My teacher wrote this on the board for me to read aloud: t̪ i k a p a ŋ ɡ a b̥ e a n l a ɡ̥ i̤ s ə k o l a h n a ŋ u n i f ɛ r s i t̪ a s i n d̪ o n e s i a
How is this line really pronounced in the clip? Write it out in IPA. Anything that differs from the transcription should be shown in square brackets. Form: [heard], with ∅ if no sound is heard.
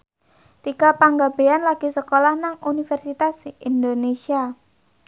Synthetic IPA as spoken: t̪ i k a p a ŋ ɡ a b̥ e a n l a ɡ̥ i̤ s ə k o l a h n a ŋ u n i f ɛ r s i t̪ a s i n d̪ o n e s i a